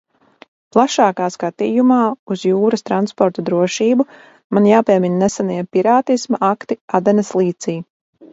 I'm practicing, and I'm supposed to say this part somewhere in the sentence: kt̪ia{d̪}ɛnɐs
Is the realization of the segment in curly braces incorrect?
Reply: no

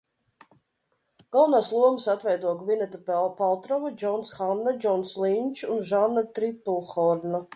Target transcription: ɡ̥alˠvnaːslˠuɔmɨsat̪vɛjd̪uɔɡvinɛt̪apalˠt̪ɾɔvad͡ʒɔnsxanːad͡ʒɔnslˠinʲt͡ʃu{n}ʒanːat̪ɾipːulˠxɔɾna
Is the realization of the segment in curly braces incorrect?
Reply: no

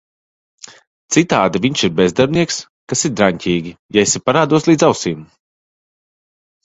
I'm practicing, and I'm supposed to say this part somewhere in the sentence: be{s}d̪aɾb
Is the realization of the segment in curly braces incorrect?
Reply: yes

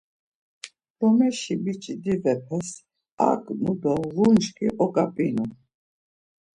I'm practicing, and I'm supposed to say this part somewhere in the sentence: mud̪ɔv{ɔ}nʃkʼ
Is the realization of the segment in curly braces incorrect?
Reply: yes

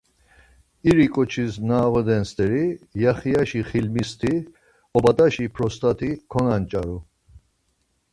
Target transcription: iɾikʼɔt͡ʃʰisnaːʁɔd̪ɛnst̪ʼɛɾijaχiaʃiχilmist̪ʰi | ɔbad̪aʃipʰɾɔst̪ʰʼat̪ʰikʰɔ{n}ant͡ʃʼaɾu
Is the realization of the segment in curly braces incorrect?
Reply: no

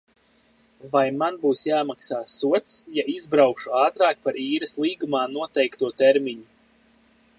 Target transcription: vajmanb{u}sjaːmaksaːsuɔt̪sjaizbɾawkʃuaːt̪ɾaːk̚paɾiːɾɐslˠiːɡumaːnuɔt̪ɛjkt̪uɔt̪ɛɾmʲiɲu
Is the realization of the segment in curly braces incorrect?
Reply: yes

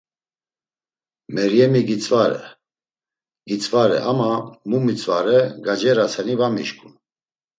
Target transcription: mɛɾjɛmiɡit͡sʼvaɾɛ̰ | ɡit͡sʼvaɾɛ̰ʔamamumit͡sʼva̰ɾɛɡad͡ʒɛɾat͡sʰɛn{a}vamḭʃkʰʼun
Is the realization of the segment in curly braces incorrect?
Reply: yes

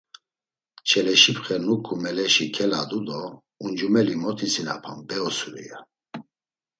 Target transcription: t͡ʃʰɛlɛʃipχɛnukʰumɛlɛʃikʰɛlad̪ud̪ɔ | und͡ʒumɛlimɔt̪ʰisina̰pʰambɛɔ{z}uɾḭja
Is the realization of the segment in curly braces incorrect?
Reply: yes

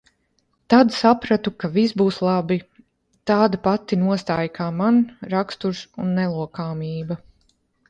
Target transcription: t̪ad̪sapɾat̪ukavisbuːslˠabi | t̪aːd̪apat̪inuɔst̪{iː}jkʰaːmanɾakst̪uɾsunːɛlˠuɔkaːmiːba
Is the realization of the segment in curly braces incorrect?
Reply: yes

